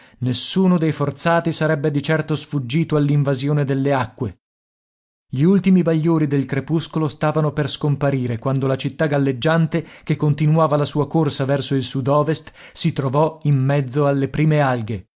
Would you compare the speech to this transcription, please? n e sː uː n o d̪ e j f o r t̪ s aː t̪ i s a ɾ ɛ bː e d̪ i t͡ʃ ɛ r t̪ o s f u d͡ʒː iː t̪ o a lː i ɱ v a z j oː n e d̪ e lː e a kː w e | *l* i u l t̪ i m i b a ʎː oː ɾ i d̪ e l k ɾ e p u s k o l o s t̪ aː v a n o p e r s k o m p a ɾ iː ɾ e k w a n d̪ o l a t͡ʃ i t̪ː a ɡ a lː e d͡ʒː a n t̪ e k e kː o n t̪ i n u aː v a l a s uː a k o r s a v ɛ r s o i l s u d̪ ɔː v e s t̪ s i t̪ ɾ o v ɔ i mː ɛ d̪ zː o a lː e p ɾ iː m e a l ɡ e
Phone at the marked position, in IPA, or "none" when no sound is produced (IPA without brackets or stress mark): ʎ